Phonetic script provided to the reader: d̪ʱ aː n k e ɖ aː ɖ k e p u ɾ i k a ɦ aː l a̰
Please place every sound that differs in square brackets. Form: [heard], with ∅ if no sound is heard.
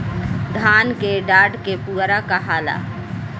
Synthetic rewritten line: d̪ʱ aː n k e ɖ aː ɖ k e p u ɾ [a] k a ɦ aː l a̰